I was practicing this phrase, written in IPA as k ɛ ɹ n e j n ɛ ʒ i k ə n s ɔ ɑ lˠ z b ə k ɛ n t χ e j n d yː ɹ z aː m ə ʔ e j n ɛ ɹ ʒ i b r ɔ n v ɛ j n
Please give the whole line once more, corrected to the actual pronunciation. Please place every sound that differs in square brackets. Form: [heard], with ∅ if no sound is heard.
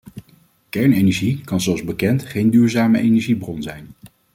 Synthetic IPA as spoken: k ɛ ɹ n e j n ɛ ʒ i k [ɑ] n [z] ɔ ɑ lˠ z b ə k ɛ n t χ e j n d yː ɹ z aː m ə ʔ e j n ɛ ɹ ʒ i b r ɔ n [z] ɛ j n